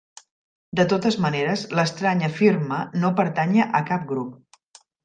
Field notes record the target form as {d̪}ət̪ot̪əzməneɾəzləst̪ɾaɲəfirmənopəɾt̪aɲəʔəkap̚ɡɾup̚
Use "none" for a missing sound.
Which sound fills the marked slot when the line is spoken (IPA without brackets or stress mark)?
d̪